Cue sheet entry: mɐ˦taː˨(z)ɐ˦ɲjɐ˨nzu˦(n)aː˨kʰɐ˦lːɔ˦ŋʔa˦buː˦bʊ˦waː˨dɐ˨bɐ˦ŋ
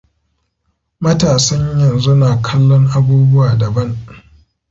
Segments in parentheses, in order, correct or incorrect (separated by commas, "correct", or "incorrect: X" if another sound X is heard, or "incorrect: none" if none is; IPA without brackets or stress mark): incorrect: s, correct